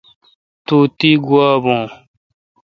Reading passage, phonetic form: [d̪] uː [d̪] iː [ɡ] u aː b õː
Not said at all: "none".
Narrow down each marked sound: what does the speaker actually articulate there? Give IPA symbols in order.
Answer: t̪, t̪, ɡ

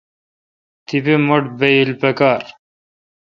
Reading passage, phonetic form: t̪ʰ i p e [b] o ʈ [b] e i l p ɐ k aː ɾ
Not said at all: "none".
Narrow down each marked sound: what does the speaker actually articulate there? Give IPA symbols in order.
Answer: m, b

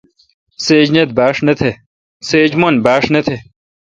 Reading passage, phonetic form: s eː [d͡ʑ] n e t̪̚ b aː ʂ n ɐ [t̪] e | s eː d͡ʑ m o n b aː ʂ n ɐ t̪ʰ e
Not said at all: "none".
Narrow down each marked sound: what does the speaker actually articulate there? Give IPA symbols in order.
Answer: d͡ʑ, t̪ʰ

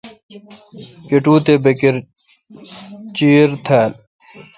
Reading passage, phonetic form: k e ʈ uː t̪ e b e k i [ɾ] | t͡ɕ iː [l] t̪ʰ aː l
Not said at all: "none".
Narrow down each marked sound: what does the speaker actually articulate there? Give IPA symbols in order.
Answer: ɾ, ɾ

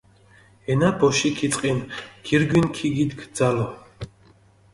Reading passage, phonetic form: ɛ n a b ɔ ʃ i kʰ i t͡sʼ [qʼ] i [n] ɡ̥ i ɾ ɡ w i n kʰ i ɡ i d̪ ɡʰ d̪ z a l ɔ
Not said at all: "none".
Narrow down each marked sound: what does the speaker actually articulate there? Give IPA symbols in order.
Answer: qʼ, n

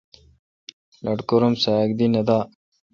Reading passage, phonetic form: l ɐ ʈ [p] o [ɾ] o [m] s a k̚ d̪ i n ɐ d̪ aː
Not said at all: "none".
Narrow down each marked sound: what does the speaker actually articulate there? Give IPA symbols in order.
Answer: k, ɾ, m

